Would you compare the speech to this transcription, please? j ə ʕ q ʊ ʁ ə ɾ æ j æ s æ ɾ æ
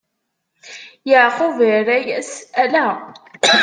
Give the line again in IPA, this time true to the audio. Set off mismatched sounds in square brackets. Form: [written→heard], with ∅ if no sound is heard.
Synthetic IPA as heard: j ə ʕ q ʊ [ʁ→v] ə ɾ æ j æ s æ [ɾ→l] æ